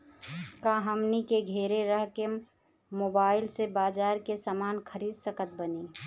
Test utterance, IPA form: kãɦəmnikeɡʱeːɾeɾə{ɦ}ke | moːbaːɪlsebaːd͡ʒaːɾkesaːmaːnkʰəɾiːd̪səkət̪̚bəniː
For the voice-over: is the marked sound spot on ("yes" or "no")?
yes